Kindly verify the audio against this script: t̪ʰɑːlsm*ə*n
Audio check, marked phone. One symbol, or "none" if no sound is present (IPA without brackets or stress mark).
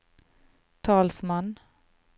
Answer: ɑ